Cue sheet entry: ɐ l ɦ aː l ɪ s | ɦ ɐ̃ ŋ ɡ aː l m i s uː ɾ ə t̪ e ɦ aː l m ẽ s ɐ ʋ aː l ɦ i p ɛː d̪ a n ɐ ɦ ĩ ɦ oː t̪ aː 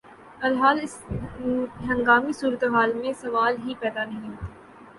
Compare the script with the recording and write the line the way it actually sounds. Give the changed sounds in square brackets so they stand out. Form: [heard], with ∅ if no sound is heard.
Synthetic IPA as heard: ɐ l ɦ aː l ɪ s | ɦ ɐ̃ ŋ ɡ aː [∅] m i s uː ɾ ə t̪ e ɦ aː l m ẽ s ɐ ʋ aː l ɦ i p ɛː d̪ a n ɐ ɦ ĩ ɦ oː t̪ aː